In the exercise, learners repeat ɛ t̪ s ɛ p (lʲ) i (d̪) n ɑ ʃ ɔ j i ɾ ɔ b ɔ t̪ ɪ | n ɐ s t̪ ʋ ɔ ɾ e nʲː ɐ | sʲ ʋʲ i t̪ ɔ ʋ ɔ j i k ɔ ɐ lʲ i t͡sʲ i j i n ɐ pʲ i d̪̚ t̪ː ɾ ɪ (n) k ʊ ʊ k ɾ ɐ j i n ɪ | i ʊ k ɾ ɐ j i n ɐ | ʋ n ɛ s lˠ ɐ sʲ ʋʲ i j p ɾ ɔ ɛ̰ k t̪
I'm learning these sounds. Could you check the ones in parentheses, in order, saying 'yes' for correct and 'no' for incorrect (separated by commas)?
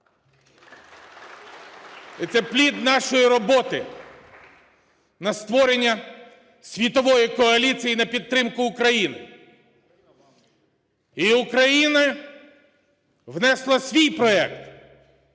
yes, yes, no